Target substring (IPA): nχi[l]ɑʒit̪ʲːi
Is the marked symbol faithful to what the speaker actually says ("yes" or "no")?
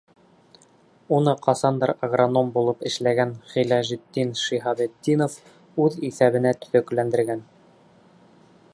yes